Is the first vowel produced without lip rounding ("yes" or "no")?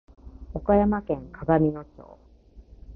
no